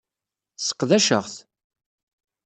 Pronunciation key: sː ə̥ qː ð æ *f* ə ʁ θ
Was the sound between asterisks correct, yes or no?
no